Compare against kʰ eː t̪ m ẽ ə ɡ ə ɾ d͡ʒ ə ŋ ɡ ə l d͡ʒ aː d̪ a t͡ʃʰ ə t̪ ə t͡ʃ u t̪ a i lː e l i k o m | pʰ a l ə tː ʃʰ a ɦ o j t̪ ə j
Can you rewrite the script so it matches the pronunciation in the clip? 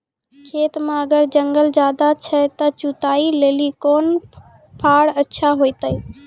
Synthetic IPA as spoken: kʰ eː t̪ m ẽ ə ɡ ə ɾ d͡ʒ ə ŋ ɡ ə l d͡ʒ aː d̪ a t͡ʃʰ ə t̪ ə t͡ʃ u t̪ a i l e l i k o n | pʰ a ɽ ə tː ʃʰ a ɦ o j t̪ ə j